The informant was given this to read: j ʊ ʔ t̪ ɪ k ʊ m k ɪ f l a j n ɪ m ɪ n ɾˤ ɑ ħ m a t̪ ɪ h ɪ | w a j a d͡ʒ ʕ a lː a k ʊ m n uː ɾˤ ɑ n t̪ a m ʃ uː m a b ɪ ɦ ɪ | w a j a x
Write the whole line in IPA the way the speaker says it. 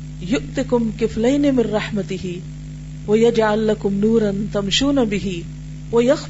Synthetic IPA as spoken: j ʊ ʔ t̪ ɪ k ʊ m k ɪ f l a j n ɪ m ɪ n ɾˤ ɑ ħ m a t̪ ɪ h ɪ | w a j a d͡ʒ ʕ a lː a k ʊ m n uː ɾˤ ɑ n t̪ a m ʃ uː n a b ɪ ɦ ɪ | w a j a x